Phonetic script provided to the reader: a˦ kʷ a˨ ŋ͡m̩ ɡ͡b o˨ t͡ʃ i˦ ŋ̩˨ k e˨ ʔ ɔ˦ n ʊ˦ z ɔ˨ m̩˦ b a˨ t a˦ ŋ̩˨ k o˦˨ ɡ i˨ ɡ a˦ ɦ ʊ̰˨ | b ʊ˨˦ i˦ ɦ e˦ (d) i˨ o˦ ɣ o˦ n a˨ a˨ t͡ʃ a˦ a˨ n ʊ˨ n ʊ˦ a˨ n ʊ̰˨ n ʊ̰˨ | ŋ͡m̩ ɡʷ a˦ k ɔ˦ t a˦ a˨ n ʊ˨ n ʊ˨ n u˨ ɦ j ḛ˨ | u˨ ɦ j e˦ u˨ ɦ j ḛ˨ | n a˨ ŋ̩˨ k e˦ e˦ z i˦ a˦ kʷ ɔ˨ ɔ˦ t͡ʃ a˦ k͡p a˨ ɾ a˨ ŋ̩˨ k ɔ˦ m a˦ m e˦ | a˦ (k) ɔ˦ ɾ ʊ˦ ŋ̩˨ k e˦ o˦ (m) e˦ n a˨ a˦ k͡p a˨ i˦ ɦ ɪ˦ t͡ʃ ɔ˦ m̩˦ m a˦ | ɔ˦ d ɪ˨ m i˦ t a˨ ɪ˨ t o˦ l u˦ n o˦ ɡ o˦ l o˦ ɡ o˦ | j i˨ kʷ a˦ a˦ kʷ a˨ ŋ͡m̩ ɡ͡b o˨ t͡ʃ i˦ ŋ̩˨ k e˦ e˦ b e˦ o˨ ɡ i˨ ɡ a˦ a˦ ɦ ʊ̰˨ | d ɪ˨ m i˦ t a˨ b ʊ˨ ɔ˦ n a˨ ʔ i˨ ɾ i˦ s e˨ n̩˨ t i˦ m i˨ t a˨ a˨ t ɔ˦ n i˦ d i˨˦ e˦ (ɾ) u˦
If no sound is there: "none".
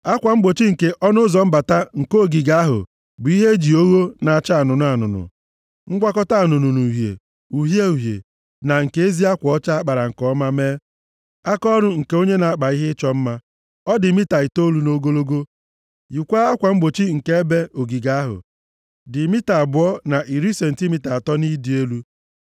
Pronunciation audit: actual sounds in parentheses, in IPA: d͡ʒ, k, ɲ, l

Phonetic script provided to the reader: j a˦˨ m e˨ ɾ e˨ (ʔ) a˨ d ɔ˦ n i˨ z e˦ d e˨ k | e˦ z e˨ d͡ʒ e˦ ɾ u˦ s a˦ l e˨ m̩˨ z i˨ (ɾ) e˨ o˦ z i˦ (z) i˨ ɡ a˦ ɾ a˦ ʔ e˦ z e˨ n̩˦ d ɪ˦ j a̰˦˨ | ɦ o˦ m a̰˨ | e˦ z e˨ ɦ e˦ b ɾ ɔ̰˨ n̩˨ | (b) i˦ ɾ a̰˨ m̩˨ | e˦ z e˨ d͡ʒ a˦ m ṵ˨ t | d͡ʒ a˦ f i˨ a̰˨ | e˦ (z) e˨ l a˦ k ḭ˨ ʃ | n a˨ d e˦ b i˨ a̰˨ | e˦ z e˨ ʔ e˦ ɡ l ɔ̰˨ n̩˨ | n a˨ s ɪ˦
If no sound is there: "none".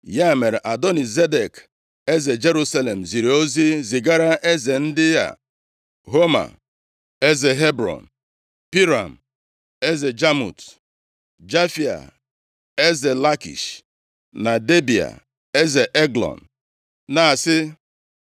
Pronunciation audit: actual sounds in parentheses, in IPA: ʔ, ɾ, z, p, z

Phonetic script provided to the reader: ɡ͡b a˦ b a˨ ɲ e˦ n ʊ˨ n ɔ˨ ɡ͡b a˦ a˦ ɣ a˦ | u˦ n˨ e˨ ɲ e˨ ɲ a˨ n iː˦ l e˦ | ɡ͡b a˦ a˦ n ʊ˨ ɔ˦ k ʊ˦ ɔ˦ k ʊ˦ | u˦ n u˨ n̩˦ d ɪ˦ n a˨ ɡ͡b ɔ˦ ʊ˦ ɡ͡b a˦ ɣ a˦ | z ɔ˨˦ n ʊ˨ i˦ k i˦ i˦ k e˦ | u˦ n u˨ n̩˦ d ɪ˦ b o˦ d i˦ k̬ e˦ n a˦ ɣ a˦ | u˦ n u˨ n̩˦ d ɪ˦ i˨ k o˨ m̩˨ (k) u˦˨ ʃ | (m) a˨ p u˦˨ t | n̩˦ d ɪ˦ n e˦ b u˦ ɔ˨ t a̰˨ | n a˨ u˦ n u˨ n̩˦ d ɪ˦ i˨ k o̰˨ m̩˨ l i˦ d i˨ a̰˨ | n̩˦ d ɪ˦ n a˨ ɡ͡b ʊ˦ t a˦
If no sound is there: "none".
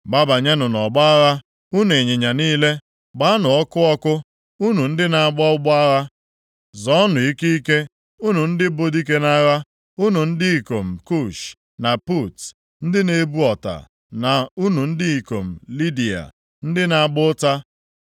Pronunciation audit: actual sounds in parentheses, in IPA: k, n

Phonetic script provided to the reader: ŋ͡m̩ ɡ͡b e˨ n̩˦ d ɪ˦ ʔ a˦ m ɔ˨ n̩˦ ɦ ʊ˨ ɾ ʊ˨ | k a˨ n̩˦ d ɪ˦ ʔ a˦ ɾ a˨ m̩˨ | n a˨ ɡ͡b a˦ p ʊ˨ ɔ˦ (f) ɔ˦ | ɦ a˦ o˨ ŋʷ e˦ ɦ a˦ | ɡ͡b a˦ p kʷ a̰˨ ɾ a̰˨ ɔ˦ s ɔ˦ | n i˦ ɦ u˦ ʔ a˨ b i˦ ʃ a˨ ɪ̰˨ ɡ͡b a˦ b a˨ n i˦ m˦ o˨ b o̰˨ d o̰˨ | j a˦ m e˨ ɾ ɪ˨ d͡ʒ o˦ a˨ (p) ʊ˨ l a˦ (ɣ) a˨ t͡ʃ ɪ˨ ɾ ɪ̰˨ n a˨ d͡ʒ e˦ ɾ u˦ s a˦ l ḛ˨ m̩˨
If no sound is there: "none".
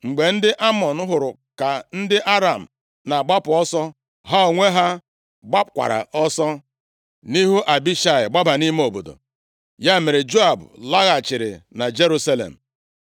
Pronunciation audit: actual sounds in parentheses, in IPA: s, b, ɣ

